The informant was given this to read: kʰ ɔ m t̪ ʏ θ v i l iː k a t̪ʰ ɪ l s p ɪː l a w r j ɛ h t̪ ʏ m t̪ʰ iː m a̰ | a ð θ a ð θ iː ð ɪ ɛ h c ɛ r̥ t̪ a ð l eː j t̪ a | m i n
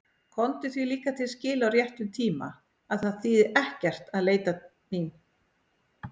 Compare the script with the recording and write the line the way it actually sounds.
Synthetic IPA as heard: kʰ ɔ n t̪ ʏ θ v i l iː k a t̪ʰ ɪ l s c ɪː l a w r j ɛ h t̪ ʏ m t̪ʰ iː m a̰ | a ð θ a ð θ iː ð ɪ ɛ h c ɛ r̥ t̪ a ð l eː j t̪ a | m i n